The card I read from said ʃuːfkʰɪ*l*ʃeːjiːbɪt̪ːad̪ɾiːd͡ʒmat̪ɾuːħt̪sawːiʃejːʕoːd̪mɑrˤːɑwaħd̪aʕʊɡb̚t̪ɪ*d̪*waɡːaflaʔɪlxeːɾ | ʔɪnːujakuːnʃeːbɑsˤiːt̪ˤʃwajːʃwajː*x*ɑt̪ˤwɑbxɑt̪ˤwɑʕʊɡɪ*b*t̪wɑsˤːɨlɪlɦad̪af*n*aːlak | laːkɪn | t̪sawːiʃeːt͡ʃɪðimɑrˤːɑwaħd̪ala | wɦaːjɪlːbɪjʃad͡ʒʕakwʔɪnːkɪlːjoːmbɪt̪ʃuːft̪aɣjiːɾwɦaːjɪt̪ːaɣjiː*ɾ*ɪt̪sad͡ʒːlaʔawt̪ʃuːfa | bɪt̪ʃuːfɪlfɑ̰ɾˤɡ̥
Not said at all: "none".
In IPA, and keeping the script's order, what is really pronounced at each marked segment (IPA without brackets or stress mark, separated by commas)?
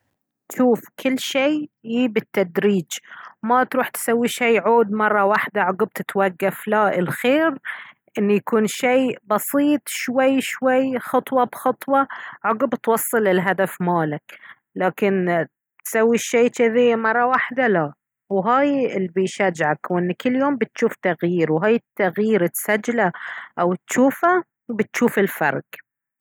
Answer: lː, t̪, x, b, m, ɾ